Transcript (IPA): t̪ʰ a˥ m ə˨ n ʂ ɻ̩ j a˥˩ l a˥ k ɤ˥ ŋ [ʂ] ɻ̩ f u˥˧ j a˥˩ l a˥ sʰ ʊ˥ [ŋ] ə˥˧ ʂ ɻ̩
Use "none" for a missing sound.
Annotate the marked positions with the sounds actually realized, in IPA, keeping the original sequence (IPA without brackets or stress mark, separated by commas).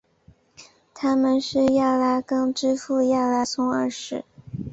ʈ͡ʂ, ŋ